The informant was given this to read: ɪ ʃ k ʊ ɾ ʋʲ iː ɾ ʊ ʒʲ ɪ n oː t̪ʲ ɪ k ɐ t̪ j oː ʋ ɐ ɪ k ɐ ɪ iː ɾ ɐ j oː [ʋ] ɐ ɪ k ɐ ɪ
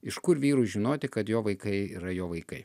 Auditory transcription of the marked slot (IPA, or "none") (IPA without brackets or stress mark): ʋ